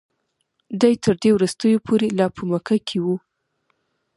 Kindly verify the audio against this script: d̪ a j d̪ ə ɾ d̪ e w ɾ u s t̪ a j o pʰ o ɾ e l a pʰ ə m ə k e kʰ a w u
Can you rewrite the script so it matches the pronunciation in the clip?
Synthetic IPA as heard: d̪ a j t̪ ə ɾ d̪ e w ɾ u s t̪ ə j o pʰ o ɾ e l ɑ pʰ ə m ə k a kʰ e w u

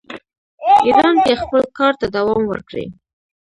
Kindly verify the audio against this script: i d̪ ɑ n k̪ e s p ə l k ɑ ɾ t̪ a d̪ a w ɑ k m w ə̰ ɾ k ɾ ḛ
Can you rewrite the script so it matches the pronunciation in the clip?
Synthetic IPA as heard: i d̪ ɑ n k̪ e x p ə l k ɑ ɾ t̪ a d̪ a w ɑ m w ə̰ ɾ k ɽ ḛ

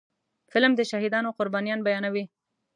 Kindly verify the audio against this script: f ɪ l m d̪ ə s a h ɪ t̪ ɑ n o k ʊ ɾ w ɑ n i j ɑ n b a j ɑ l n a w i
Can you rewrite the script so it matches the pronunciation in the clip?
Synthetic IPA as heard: f ɪ l m d̪ ə ʃ a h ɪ d̪ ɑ n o q ʊ ɾ b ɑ n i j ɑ n b a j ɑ n a w i

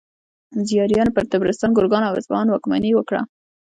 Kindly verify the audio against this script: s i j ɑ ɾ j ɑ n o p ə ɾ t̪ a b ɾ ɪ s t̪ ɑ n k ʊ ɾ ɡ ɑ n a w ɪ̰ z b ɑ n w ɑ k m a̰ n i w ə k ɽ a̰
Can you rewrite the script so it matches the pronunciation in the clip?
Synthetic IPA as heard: z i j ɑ ɾ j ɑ n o p ə ɾ t̪ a b ɾ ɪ s t̪ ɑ n ɡ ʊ ɾ ɡ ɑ n a w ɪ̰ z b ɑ n w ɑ k m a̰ n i w ə k ɽ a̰

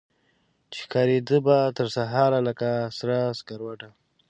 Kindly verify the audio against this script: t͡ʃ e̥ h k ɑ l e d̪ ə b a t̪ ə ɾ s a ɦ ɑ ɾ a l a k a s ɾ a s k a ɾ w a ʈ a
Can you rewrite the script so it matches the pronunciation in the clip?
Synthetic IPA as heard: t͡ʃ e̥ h k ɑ ɾ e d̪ ə b a t̪ ə ɾ s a ɦ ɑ ɾ a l a k a s ɾ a s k a ɾ w a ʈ a

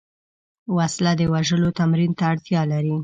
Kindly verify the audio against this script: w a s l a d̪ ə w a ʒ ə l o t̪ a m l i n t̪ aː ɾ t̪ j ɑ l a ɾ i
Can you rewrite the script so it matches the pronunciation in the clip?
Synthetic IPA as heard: w a s l a d̪ ə w a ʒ ə l o t̪ a m ɾ i n t̪ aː ɽ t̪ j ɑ l a ɾ i

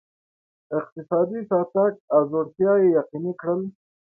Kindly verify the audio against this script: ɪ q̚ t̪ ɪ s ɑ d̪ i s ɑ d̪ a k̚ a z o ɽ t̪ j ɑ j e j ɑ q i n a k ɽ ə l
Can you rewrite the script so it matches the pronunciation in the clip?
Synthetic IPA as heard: ɪ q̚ t̪ ɪ s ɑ d̪ i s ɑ t̪ a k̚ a z o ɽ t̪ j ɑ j e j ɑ q i n i k ɽ ə l

